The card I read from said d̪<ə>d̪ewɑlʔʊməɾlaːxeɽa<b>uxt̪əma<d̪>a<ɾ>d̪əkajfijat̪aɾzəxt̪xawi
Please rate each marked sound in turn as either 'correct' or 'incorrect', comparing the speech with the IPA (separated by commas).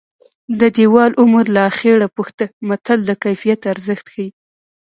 correct, incorrect, incorrect, incorrect